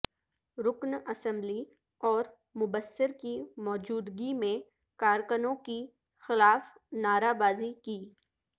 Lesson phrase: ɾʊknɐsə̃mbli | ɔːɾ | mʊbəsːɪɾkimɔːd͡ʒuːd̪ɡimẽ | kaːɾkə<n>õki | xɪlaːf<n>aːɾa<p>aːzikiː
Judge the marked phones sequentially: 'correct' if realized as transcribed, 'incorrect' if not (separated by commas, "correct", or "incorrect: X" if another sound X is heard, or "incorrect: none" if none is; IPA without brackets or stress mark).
correct, correct, incorrect: b